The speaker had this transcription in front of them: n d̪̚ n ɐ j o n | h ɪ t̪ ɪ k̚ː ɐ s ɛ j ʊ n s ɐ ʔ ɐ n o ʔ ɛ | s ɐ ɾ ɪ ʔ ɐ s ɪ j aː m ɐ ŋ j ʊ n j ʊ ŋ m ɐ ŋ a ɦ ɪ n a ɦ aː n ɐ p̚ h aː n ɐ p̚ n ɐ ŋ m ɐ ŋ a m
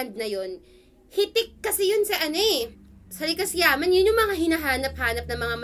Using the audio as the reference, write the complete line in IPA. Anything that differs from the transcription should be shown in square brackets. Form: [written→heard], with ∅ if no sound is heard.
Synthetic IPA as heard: n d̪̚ n ɐ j o n | h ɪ t̪ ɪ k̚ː ɐ s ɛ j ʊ n s ɐ ʔ ɐ n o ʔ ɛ | s ɐ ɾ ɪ [ʔ→k] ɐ s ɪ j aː m ɐ [ŋ→n] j ʊ n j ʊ ŋ m ɐ ŋ a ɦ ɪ n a ɦ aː n ɐ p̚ h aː n ɐ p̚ n ɐ ŋ m ɐ ŋ a m